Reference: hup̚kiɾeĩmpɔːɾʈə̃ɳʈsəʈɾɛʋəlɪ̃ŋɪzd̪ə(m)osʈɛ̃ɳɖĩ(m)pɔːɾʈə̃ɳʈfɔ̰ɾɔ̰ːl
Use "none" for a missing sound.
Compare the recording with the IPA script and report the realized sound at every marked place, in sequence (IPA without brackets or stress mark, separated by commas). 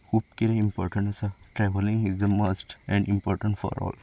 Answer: m, m